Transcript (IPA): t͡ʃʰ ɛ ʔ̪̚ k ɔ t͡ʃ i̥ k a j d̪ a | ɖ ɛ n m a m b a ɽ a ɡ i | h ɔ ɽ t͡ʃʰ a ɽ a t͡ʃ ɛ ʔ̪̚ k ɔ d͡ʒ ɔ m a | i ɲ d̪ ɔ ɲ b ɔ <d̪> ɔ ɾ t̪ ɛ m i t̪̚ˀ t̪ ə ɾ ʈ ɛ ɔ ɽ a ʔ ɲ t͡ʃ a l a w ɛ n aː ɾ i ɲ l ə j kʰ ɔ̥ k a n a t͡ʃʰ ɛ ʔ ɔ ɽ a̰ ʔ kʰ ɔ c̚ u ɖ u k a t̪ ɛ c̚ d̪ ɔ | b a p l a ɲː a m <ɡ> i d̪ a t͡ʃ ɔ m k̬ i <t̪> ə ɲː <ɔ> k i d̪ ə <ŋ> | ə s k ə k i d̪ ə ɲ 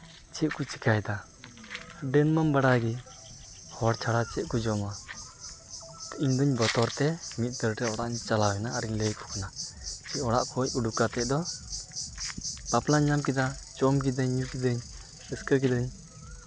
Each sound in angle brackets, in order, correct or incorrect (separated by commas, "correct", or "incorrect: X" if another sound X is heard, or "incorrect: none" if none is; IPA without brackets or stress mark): incorrect: t̪, incorrect: k, incorrect: d̪, incorrect: u, incorrect: ɲ